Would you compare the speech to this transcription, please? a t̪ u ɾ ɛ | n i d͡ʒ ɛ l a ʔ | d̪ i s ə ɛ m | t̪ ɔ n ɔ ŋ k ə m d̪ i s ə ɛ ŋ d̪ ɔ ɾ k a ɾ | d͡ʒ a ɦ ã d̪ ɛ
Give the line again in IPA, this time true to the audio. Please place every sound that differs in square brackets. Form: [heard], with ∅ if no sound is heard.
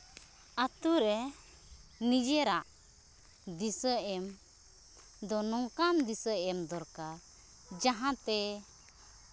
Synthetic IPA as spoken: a t̪ u ɾ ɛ | n i d͡ʒ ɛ [ɾ] a ʔ | d̪ i s ə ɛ m | [d̪] ɔ n ɔ ŋ k [a] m d̪ i s ə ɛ [m] d̪ ɔ ɾ k a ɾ | d͡ʒ a ɦ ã [t̪] ɛ